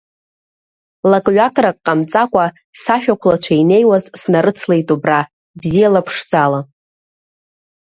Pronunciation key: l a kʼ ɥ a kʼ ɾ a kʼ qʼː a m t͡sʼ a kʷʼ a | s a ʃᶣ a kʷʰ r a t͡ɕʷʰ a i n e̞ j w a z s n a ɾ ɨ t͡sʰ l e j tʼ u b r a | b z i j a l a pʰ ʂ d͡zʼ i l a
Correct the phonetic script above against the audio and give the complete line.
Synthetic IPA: l a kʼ ɥ a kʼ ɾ a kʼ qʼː a m t͡sʼ a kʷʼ a | s a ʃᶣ a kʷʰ l a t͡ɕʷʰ a i n e̞ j w a z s n a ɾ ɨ t͡sʰ l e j tʼ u b r a | b z i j a l a pʰ ʂ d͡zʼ a l a